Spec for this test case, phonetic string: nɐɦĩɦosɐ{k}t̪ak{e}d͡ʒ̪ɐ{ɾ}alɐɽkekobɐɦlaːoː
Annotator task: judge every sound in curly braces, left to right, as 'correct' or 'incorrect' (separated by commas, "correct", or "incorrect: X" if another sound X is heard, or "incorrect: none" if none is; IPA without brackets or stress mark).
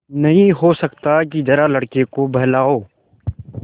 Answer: correct, incorrect: i, correct